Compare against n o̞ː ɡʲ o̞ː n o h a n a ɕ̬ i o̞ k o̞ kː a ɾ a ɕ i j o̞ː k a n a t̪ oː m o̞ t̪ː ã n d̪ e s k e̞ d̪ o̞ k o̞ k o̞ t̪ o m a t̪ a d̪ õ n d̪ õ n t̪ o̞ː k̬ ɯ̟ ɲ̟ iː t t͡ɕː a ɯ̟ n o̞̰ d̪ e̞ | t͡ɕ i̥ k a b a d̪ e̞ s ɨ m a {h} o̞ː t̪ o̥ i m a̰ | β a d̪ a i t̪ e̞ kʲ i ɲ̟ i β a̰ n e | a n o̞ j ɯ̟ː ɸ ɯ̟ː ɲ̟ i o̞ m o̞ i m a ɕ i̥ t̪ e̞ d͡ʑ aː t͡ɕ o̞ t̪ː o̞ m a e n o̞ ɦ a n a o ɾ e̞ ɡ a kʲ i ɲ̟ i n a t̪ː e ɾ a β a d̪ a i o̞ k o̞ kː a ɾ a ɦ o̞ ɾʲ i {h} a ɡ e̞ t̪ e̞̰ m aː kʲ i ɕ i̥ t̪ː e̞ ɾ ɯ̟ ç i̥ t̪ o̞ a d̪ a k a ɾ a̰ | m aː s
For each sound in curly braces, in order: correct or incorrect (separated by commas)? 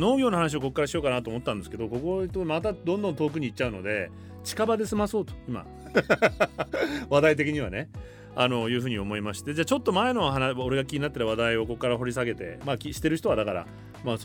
incorrect, incorrect